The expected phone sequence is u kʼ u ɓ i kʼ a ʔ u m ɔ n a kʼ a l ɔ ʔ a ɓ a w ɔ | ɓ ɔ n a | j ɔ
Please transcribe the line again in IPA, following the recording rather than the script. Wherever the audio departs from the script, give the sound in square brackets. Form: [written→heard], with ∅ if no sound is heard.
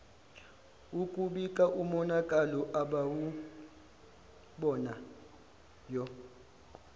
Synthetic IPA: u kʼ u ɓ i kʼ a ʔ u m ɔ n a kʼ a l ɔ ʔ a ɓ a w [ɔ→u] | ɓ ɔ n a | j ɔ